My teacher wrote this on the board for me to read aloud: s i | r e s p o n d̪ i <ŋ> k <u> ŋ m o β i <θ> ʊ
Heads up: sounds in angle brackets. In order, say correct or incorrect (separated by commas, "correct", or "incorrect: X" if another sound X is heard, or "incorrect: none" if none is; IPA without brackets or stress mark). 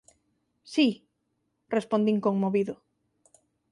correct, incorrect: o, incorrect: ð